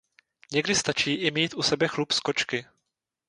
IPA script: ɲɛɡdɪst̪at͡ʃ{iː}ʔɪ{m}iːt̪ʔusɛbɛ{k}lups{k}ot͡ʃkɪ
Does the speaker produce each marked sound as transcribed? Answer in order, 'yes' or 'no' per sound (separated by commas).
yes, yes, no, yes